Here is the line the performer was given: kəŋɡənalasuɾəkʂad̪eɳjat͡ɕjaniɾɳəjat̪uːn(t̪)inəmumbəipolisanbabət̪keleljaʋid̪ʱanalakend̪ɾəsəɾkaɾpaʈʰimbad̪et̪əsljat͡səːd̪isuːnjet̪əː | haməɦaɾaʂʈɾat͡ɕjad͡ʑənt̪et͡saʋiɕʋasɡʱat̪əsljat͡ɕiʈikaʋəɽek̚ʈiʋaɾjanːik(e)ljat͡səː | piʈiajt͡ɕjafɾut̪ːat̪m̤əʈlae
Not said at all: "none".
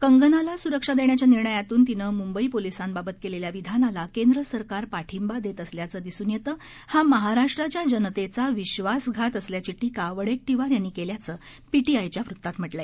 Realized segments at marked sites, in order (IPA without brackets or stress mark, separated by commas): t̪, e